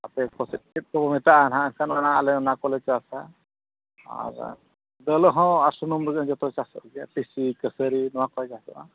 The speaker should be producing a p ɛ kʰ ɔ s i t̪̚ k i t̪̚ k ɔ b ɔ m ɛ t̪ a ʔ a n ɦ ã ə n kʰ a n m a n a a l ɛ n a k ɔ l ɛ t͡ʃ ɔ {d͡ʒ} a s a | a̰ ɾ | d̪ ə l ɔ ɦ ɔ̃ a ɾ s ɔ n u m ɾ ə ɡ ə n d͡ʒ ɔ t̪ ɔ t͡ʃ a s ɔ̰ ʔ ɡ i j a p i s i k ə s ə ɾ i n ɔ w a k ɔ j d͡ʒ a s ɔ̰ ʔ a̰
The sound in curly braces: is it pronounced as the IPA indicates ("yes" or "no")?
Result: no